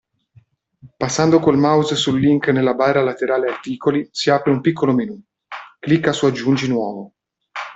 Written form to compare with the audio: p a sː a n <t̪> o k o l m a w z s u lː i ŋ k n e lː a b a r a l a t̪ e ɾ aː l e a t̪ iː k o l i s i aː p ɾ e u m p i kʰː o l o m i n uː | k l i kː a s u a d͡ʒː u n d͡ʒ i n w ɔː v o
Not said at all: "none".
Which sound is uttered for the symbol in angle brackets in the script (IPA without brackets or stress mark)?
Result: d̪